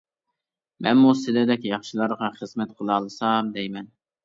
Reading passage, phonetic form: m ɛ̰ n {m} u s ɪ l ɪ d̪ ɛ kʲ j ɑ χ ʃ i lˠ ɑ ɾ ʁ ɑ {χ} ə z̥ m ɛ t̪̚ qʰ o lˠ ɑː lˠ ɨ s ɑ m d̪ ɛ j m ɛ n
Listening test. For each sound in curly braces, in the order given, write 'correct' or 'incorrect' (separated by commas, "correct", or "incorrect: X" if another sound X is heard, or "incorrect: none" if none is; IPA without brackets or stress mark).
correct, correct